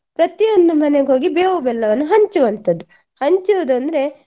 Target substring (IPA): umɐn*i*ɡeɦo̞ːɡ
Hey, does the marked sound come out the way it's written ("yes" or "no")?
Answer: no